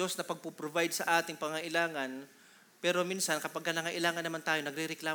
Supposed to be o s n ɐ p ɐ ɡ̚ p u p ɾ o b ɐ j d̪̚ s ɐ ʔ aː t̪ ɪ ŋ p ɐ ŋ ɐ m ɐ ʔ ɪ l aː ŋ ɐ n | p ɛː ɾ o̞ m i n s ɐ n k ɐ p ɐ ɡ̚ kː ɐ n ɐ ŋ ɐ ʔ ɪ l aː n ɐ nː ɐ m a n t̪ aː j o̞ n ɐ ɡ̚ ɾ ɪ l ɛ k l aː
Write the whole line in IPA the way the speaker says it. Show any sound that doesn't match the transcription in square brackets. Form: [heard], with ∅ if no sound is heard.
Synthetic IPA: o s n ɐ p ɐ ɡ̚ p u p ɾ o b [a] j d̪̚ s ɐ ʔ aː t̪ ɪ ŋ p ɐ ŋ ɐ [ŋ] ɐ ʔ ɪ l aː ŋ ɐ n | p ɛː ɾ o̞ m i n s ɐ n k ɐ p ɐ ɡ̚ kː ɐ n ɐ ŋ ɐ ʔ ɪ l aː [ŋ] ɐ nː ɐ m a n t̪ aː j o̞ n ɐ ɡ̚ ɾ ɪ [ɾ] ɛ k l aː